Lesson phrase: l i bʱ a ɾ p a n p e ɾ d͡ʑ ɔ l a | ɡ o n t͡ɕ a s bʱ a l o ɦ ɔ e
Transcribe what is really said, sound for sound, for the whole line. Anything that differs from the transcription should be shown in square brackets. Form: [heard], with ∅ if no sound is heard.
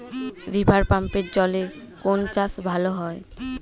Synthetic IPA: [ɾ] i bʱ a ɾ p a [m] p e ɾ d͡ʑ ɔ l [e] | [k] o n t͡ɕ a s bʱ a l o ɦ ɔ e

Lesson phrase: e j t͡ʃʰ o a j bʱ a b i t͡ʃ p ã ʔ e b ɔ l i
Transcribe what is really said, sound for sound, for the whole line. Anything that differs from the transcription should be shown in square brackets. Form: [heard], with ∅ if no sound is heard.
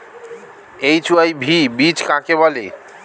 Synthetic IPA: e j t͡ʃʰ [u] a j bʱ [i] b i t͡ʃ [k] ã [k] e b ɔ l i

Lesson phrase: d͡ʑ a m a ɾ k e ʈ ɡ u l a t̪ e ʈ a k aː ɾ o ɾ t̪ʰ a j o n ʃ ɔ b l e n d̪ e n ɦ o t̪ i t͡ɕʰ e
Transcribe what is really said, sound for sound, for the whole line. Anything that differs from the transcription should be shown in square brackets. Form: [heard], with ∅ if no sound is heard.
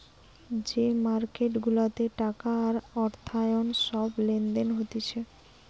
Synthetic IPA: d͡ʑ [e] m a ɾ k e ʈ ɡ u l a t̪ e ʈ a k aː ɾ [ɔ] ɾ t̪ʰ a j o n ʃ ɔ b l e n d̪ e n ɦ o t̪ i t͡ɕʰ e

